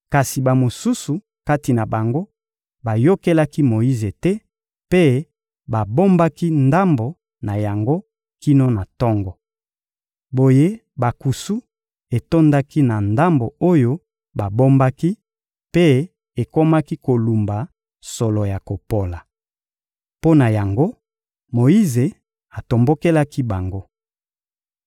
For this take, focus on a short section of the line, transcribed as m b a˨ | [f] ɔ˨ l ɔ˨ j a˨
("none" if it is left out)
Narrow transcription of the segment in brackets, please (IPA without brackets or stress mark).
s